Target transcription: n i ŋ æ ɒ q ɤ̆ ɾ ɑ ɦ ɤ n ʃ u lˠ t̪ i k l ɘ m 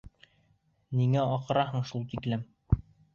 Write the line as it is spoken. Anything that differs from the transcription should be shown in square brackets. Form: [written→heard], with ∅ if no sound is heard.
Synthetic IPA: n i ŋ æ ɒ q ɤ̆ ɾ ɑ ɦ ɤ [n→ɴ] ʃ u lˠ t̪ i k l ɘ m